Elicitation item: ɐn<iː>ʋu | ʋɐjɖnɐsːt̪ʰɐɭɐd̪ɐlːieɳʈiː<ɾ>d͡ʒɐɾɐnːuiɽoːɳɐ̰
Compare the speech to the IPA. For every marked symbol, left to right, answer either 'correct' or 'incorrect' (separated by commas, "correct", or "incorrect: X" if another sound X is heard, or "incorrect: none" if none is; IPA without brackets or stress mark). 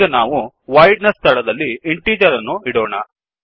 incorrect: aː, incorrect: none